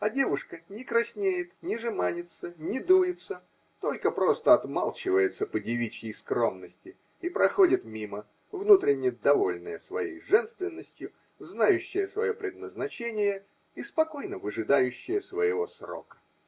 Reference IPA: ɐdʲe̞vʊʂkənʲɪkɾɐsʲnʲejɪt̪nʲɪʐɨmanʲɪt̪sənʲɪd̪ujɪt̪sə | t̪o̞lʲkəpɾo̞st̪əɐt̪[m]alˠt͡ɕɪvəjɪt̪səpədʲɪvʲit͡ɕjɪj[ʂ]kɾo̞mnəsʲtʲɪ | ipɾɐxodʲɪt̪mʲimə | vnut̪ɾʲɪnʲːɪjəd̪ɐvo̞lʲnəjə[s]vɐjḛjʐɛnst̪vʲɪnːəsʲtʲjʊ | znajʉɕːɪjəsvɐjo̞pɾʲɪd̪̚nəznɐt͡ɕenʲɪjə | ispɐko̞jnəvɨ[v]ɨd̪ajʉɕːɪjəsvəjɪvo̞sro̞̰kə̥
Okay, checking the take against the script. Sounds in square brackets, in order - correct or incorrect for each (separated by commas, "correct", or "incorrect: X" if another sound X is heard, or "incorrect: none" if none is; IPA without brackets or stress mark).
correct, incorrect: s, correct, incorrect: ʐ